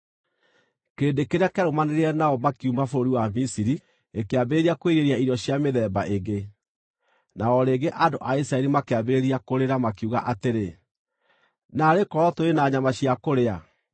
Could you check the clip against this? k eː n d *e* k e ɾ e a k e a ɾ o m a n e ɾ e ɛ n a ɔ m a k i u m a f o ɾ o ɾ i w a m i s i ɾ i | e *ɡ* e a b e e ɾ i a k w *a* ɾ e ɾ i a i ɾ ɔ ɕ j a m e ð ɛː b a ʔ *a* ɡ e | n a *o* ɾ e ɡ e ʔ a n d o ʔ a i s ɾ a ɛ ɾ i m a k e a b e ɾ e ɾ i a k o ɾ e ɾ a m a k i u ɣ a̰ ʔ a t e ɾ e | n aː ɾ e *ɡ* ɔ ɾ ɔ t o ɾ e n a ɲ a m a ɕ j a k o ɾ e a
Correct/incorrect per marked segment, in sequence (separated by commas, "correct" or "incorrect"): correct, incorrect, incorrect, incorrect, incorrect, incorrect